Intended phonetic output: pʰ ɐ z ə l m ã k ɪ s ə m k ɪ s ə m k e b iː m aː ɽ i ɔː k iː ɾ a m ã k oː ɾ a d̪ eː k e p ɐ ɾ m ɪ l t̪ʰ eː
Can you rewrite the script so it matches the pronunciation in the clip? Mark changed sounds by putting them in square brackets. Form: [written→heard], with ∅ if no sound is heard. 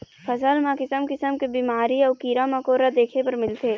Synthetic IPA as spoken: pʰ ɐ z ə l m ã k ɪ s ə m k ɪ s ə m k e b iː m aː [ɽ→ɾ] i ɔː k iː ɾ a m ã k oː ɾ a d̪ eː [k→kʰ] e p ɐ ɾ m ɪ l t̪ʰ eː